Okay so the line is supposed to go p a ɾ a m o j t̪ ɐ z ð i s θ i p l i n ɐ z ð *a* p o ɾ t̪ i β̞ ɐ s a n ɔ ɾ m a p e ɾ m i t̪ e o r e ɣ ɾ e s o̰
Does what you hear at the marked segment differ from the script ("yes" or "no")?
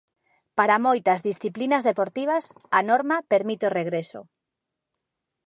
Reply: yes